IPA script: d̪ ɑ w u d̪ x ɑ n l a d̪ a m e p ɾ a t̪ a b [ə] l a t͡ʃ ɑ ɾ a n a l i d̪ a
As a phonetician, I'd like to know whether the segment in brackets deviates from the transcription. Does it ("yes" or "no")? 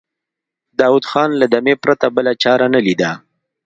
no